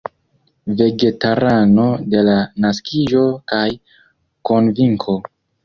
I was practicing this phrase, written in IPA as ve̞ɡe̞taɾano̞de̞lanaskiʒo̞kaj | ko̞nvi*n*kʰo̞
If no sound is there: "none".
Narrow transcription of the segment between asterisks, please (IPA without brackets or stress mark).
ŋ